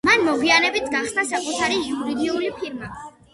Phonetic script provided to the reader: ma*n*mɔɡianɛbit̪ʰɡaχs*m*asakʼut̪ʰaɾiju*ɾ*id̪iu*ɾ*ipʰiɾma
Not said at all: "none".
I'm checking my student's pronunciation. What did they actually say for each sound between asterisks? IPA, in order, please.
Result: n, n, ɾ, l

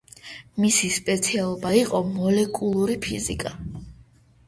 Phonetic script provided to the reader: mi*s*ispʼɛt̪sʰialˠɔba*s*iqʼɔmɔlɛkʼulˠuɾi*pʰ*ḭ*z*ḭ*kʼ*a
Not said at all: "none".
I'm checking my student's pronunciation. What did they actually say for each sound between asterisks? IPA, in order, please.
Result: s, none, pʰ, z, kʼ

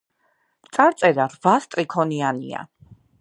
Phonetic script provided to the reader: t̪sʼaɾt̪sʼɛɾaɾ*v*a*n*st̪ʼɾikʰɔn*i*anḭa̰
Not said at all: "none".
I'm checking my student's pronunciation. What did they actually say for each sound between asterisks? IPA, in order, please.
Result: v, none, i

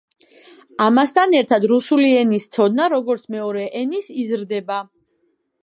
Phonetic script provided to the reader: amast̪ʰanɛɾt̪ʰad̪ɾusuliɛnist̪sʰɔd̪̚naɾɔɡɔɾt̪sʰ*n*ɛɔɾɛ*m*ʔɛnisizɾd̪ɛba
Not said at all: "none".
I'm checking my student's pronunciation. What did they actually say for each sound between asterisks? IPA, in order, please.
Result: m, none

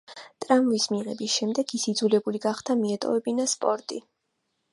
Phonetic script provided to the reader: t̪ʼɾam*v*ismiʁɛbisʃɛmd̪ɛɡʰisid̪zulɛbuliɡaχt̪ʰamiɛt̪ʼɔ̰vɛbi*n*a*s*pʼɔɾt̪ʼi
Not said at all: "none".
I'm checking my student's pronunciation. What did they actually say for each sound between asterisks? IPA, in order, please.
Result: v, n, s

